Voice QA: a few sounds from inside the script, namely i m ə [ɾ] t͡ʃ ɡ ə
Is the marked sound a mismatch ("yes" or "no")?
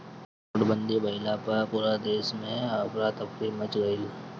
yes